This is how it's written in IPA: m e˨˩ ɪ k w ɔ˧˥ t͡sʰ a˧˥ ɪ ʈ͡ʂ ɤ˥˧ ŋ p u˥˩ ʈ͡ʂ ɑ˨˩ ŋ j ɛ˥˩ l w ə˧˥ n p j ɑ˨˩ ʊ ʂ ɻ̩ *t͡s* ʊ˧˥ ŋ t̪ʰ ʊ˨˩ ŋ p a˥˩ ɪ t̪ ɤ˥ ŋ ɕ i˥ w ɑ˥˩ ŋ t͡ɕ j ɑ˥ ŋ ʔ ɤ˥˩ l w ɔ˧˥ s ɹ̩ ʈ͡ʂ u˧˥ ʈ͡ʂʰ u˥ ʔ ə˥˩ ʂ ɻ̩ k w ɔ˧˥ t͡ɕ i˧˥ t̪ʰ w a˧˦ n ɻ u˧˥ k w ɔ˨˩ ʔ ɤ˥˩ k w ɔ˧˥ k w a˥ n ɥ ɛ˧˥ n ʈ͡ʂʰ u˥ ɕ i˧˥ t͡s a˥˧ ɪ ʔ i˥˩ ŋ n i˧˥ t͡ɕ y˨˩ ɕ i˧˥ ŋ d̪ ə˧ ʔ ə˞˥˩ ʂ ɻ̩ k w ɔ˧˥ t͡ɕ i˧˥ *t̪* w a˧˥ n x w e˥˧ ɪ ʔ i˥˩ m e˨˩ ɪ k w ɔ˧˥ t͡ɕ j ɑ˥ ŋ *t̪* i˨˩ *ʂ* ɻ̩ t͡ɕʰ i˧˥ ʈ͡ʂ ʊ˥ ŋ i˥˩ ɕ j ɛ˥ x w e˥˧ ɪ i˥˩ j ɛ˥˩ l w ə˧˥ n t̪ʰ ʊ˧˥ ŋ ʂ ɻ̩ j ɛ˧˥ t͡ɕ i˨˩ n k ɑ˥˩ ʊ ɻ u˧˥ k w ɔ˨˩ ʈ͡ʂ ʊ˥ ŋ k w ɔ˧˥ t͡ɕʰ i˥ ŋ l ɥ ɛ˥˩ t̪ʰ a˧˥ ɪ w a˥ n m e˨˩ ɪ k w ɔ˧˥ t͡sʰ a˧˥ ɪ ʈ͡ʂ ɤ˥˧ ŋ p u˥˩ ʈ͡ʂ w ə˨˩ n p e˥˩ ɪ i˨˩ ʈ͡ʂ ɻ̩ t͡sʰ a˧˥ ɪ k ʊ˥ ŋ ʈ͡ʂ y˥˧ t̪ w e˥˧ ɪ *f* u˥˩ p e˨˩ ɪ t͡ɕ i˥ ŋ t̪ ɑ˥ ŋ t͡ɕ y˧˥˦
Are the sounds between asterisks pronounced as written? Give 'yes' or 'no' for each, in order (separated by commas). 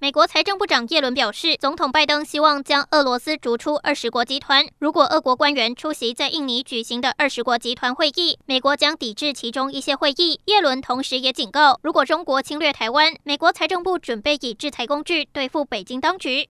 yes, no, yes, no, yes